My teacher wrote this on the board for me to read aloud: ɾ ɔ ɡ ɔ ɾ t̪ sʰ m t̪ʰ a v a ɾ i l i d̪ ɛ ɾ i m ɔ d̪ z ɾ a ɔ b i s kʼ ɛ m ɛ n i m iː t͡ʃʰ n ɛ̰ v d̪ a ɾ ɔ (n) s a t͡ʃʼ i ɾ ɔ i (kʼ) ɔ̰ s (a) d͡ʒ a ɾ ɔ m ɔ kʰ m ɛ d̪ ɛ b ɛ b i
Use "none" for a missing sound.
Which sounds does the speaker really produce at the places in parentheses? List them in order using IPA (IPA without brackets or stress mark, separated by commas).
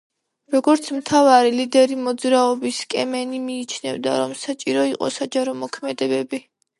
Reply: m, qʼ, a